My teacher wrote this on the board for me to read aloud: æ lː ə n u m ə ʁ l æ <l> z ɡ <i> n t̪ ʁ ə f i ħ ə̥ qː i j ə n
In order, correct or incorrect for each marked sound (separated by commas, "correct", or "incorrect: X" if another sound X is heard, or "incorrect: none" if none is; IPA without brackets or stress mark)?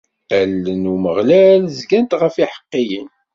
correct, incorrect: æ